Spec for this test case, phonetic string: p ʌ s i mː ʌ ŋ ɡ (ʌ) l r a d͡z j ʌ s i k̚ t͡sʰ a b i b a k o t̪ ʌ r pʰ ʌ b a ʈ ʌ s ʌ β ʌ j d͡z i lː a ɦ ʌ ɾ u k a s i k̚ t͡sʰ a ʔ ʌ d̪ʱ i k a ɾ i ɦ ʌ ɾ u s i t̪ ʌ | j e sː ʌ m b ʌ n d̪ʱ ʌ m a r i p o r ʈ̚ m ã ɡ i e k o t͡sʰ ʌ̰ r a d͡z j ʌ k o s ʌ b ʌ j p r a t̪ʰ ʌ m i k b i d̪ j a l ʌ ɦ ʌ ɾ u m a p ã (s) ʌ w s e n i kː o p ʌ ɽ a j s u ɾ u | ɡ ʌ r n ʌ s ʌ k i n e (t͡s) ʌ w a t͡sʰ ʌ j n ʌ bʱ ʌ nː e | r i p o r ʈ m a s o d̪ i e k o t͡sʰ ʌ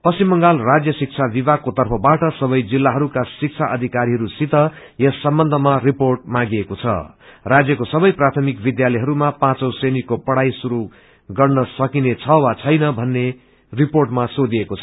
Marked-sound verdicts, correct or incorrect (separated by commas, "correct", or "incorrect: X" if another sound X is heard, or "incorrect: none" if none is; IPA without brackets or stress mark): incorrect: a, incorrect: t͡s, incorrect: t͡sʰ